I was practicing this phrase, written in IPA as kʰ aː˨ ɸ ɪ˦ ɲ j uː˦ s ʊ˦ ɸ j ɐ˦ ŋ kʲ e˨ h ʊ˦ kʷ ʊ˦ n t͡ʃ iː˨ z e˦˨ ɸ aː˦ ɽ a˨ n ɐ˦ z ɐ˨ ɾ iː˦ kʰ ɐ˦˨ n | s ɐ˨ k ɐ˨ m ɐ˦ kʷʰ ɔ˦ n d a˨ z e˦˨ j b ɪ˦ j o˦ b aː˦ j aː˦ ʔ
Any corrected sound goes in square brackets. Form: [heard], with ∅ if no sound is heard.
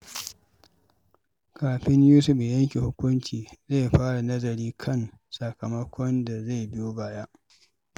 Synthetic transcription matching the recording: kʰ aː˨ ɸ ɪ˦ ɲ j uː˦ s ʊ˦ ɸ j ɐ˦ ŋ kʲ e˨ h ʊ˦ kʷ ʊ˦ n t͡ʃ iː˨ z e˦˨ ɸ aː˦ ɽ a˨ n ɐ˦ z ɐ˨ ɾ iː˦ kʰ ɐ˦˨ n | s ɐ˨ k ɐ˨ m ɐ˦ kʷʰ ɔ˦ n d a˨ z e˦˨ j b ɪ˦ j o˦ b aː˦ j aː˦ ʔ